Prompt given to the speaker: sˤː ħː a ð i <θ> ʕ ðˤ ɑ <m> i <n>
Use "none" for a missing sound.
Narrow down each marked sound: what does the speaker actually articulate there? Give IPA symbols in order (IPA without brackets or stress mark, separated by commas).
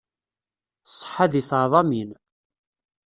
θ, m, n